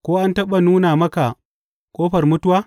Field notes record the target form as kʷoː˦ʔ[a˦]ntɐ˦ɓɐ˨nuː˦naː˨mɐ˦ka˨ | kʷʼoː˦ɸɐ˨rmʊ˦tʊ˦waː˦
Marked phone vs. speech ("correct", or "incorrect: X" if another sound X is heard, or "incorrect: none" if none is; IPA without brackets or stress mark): correct